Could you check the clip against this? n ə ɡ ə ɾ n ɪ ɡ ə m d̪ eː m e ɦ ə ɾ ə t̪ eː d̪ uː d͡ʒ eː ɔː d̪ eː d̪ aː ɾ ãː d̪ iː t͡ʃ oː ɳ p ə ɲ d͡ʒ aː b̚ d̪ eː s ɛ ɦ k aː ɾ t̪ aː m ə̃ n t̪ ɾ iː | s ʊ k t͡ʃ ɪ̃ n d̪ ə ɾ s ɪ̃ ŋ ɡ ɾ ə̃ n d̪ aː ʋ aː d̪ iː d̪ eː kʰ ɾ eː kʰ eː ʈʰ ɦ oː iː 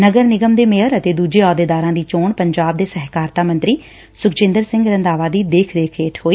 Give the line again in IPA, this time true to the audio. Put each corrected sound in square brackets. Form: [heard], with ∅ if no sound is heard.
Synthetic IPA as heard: n ə ɡ ə ɾ n ɪ ɡ ə m d̪ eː m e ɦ ə ɾ ə t̪ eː d̪ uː d͡ʒ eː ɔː d̪ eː d̪ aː ɾ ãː d̪ iː t͡ʃ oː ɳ p ə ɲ d͡ʒ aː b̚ d̪ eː s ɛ ɦ k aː ɾ t̪ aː m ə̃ n t̪ ɾ iː | s ʊ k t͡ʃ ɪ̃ n d̪ ə ɾ s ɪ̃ ŋ ɡ ɾ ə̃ n d̪ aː ʋ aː d̪ iː d̪ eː kʰ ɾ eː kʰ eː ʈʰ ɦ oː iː

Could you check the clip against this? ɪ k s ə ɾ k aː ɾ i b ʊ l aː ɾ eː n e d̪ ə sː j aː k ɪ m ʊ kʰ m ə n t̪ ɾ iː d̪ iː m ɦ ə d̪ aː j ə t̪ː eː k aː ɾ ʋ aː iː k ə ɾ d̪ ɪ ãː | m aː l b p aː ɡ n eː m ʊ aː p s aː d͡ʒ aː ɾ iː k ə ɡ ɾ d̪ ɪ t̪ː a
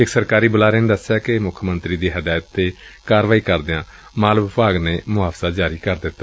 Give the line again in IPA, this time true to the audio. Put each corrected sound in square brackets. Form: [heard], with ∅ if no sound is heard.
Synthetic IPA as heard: ɪ k s ə ɾ k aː ɾ [iː] b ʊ l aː ɾ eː n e d̪ ə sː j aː k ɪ m ʊ kʰ m ə n t̪ ɾ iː d̪ iː [∅] ɦ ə d̪ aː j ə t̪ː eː k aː ɾ ʋ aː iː k ə ɾ d̪ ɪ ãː | m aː l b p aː ɡ n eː m ʊ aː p s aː d͡ʒ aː ɾ iː k ə [∅] ɾ d̪ ɪ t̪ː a

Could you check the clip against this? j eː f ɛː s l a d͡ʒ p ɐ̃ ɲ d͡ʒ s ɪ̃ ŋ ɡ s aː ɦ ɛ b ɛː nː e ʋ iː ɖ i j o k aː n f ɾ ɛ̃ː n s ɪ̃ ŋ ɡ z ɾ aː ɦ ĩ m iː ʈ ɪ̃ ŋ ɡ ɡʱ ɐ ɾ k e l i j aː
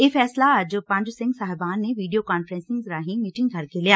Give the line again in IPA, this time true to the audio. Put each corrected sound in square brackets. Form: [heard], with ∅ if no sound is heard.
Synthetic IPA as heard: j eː f ɛː s l a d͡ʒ p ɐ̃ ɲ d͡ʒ s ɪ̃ ŋ ɡ s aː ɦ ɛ b [aː] nː e ʋ iː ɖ i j o k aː n f ɾ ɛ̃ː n s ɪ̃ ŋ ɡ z ɾ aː ɦ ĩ m iː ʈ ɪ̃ ŋ ɡ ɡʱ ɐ ɾ k e l i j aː

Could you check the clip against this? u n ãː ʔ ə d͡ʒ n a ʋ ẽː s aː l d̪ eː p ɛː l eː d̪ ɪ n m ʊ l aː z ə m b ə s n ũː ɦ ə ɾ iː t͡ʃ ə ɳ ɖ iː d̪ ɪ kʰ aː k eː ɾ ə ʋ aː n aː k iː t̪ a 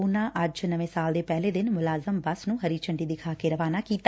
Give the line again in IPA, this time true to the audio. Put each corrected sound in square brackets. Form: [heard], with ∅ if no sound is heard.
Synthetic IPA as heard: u n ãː ʔ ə d͡ʒ n [ə] ʋ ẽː s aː l d̪ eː p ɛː l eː d̪ ɪ n m ʊ l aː z ə m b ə s n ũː ɦ ə ɾ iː t͡ʃ ə ɳ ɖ iː d̪ ɪ kʰ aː k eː ɾ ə ʋ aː n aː k iː t̪ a

